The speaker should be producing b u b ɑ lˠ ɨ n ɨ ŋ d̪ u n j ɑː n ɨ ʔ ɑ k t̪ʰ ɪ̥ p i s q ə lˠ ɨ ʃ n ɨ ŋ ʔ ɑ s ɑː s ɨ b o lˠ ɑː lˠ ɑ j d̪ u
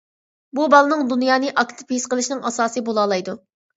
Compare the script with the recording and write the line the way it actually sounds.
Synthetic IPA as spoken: b u b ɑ lˠ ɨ n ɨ ŋ d̪ u n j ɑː n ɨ ʔ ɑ k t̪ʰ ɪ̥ p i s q ə lˠ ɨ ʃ n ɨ ŋ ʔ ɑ s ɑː s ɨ b o lˠ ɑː lˠ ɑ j d̪ u